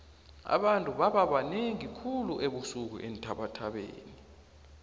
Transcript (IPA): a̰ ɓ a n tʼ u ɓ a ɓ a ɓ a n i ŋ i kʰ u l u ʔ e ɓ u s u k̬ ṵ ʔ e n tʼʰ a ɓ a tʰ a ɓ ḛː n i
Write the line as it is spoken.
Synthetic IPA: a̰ ɓ a n tʼ u ɓ a ɓ a ɓ a n e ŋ i kʰ u l u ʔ e ɓ u s u k̬ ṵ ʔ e n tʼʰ a ɓ a tʰ a ɓ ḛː n i